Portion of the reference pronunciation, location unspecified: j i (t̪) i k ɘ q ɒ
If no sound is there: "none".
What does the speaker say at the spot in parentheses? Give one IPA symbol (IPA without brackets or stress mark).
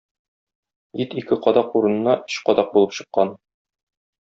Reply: t̪